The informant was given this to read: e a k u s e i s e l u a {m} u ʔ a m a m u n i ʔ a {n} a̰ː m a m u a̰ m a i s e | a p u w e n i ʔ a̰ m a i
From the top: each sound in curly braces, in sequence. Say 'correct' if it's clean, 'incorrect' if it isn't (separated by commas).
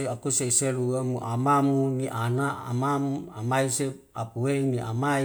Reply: correct, correct